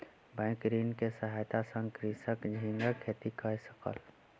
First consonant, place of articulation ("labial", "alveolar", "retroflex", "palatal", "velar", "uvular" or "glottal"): labial